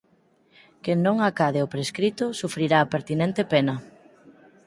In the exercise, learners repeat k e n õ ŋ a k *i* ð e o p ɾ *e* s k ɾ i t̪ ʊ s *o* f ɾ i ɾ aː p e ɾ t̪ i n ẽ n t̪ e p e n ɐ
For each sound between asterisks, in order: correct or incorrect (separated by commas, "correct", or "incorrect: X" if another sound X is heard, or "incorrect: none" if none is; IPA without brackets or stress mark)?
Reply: incorrect: a, correct, incorrect: u